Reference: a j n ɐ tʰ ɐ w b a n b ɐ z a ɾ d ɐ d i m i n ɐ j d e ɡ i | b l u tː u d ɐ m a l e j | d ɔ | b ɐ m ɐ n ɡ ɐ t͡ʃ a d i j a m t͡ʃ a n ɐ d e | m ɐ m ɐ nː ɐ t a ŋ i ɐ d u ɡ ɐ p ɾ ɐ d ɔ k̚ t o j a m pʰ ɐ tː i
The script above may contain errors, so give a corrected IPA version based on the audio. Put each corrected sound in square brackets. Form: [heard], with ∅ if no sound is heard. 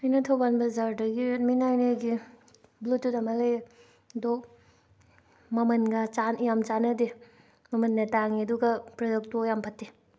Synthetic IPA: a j n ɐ tʰ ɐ w b a n b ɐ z a ɾ d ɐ [ɡ] i m i n [a] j [n] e ɡ i | b l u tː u d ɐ m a l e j | d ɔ | [m] ɐ m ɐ n ɡ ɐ t͡ʃ a [n] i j a m t͡ʃ a n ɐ d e | m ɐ m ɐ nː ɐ t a ŋ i ɐ d u ɡ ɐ p ɾ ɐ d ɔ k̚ t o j a m pʰ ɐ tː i